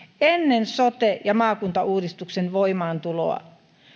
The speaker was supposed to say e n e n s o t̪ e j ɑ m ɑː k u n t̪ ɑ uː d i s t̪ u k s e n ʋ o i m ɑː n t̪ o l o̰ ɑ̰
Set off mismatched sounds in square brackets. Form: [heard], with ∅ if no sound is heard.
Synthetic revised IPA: e [nː] e n s o t̪ e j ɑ m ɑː k u n t̪ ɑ uː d i s t̪ u k s e n ʋ o i m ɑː n t̪ [u] l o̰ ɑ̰